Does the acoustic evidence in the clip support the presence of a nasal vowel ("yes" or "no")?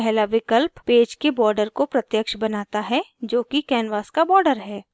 no